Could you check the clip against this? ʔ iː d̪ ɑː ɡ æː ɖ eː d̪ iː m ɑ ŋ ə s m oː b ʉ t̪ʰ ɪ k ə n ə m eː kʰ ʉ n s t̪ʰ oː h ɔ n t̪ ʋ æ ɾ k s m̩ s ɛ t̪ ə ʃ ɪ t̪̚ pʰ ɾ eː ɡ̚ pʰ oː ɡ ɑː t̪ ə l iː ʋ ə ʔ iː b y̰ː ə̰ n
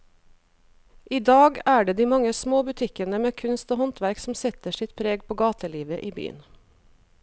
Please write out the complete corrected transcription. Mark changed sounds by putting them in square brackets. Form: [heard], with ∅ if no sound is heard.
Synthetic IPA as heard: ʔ iː d̪ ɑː ɡ æː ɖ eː d̪ iː m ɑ ŋ ə s m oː b ʉ t̪ʰ ɪ k ə n ə m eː kʰ ʉ n s [t̪] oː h ɔ n t̪ ʋ æ ɾ k s m̩ s ɛ t̪ ə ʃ ɪ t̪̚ pʰ ɾ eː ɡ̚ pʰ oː ɡ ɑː t̪ ə l iː ʋ ə ʔ iː b y̰ː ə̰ n